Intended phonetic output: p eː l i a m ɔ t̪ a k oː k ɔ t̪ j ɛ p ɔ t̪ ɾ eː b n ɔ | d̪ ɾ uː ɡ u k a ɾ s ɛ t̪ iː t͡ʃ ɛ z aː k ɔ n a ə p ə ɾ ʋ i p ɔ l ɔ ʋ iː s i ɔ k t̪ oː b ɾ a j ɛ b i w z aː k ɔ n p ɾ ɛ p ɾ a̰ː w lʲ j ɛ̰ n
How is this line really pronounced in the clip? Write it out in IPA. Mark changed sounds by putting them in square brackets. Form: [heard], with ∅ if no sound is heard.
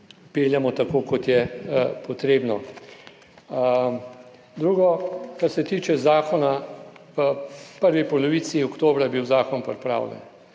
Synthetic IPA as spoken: p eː l [j] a m ɔ t̪ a k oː k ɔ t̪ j ɛ p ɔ t̪ ɾ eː b n ɔ | d̪ ɾ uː ɡ [ɔ] k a ɾ s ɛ t̪ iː t͡ʃ ɛ z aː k ɔ n a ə p ə ɾ ʋ i p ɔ l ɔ ʋ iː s i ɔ k t̪ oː b ɾ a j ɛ b i w z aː k ɔ n p ɾ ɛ p ɾ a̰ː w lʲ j ɛ̰ n